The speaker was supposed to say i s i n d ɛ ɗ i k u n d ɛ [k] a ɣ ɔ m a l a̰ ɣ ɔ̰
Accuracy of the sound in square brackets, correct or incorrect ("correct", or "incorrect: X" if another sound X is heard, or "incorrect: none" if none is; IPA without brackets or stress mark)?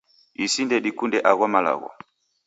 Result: incorrect: ʔ